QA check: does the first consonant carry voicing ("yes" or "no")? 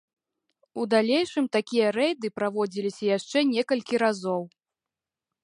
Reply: yes